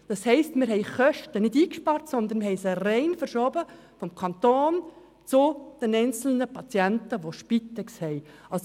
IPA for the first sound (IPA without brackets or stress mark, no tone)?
d̥